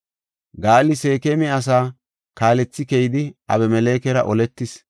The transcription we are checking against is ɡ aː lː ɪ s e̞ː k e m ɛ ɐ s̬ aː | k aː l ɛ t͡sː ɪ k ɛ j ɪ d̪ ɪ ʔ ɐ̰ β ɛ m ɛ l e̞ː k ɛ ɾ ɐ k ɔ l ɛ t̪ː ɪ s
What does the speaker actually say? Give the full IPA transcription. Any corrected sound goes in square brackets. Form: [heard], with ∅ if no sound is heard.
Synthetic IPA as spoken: ɡ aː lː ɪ s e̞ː k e m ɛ ɐ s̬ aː | k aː l ɛ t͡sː ɪ k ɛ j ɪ d̪ ɪ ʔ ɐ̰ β ɛ m ɛ l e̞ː k ɛ ɾ ɐ [ʔ] ɔ l ɛ t̪ː ɪ s